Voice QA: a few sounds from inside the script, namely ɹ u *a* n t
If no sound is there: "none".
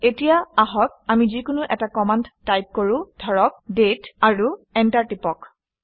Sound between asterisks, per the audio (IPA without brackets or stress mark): ɛ